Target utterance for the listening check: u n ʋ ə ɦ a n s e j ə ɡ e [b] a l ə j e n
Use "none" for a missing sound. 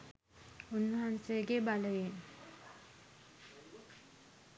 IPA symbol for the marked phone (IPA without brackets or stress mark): b